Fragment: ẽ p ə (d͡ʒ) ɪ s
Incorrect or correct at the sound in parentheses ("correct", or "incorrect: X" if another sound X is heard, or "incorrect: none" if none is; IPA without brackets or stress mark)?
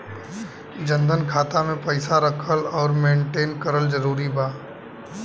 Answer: incorrect: none